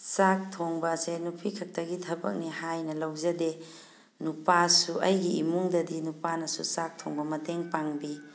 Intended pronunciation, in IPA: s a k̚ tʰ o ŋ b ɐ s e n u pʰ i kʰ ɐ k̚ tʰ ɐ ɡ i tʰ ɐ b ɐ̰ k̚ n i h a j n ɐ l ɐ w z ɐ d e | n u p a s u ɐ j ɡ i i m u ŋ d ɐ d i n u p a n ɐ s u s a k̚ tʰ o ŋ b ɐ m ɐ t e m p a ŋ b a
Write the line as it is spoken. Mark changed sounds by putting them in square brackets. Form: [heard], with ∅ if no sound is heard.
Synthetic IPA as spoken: s a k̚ tʰ o ŋ b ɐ s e n u pʰ i kʰ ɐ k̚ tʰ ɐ ɡ i tʰ ɐ b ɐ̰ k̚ n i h a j n ɐ l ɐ w z ɐ d e | n u p a s u ɐ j ɡ i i m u ŋ d ɐ d i n u p a n ɐ s u s a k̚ tʰ o ŋ b ɐ m ɐ t e [ŋ] p a ŋ b [i]

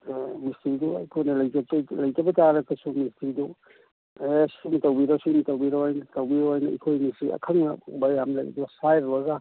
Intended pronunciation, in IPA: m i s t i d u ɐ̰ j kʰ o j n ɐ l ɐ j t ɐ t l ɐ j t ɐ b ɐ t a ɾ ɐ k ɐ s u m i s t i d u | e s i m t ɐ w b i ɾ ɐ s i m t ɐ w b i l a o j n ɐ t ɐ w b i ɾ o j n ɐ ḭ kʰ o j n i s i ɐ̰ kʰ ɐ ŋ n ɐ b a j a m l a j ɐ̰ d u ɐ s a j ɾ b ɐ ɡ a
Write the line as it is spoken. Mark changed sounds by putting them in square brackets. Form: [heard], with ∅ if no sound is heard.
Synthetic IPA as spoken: m i s t i d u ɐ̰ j kʰ o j n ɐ l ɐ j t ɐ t l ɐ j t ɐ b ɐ t a ɾ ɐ k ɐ s u m i s t i d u | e s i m t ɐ w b i ɾ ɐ s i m t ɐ w b i [ɾ] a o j n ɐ t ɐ w b i ɾ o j n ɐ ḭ kʰ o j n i s i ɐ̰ kʰ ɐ ŋ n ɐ b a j a m l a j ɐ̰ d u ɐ s a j ɾ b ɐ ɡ a

